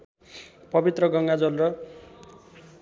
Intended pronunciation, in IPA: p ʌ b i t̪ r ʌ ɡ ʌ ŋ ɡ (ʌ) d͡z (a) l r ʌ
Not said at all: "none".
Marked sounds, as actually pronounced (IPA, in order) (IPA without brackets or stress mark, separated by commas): a, ʌ